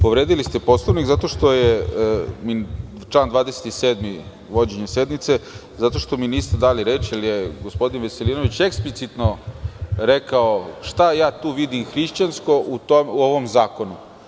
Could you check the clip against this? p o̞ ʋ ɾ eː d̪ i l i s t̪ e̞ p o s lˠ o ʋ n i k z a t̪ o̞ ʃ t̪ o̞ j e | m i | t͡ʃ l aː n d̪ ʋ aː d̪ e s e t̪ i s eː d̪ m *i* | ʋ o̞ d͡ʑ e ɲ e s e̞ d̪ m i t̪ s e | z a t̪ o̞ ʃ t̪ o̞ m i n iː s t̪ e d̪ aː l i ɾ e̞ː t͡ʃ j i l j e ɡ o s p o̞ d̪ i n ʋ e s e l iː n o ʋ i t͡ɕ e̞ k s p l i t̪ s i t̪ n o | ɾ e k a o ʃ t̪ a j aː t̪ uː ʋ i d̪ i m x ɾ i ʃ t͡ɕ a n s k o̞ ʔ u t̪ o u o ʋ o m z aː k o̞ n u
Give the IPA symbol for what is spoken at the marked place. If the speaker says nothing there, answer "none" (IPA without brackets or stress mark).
i